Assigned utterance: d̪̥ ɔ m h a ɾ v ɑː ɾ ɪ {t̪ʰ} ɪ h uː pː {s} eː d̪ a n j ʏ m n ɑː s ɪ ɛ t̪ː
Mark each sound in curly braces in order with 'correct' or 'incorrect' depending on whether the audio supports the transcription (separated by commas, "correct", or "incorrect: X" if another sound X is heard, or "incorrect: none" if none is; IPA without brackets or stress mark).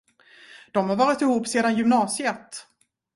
incorrect: t̪, correct